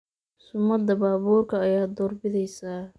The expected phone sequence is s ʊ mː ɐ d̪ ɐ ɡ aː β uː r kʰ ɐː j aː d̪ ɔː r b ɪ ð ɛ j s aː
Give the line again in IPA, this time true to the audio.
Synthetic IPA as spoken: s ʊ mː ɐ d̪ ɐ b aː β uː r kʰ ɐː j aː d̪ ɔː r b ɪ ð ɛ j s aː